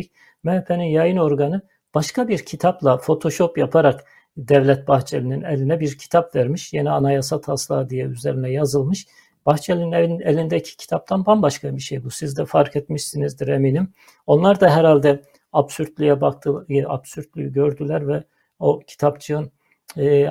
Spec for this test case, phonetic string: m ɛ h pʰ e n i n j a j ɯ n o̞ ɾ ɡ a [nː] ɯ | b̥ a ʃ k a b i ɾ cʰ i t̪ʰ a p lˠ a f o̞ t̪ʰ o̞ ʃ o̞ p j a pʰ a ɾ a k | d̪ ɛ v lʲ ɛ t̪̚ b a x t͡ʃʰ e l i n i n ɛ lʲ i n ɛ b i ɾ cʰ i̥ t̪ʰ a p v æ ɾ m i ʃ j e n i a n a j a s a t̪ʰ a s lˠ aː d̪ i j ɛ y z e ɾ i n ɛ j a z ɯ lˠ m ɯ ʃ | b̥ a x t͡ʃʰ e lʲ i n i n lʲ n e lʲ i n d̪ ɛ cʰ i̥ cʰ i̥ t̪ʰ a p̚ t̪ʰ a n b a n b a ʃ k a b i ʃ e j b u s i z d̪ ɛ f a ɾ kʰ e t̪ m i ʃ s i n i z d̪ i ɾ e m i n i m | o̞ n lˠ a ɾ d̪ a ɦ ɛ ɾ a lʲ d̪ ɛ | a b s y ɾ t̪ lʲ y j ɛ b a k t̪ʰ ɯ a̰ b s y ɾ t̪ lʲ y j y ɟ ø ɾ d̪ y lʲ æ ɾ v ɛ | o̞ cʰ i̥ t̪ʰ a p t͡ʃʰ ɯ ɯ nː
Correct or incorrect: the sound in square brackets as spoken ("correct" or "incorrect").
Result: incorrect